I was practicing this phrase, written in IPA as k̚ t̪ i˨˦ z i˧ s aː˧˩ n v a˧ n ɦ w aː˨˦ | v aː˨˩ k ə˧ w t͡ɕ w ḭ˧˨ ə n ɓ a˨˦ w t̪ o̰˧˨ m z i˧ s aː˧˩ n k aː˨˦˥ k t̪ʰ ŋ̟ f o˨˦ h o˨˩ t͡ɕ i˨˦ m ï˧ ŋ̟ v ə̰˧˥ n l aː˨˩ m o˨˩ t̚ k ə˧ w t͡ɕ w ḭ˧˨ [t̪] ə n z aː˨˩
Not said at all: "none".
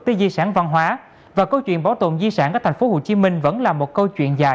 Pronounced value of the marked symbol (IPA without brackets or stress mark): none